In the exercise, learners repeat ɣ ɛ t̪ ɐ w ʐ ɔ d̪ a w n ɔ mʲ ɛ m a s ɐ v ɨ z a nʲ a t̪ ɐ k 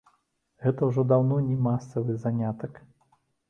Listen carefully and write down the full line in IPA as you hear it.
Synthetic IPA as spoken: ɣ ɛ t̪ ɐ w ʐ ɔ d̪ a w n ɔ nʲ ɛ m a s ɐ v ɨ z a nʲ a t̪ ɐ k